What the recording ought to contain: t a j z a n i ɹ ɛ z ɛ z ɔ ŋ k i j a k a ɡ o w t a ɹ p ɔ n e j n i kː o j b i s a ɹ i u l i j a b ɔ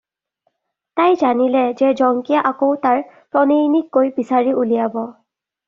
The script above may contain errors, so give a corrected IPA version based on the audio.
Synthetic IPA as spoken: t a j z a n i l ɛ z ɛ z ɔ ŋ k i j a ʔ a k o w t a ɹ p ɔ n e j n i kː o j b i s a ɹ i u l i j a b ɔ

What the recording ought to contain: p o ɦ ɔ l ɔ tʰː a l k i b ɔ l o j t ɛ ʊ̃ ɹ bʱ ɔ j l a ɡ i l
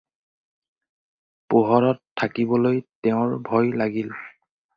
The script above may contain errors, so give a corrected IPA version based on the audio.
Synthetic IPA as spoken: p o ɦ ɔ ɹ ɔ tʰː a k i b ɔ l o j t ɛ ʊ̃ ɹ bʱ ɔ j l a ɡ i l

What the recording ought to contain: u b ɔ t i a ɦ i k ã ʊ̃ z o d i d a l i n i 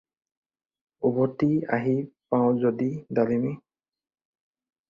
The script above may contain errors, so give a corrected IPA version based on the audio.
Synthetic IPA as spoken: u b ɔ t i a ɦ i p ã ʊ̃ z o d i d a l i m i

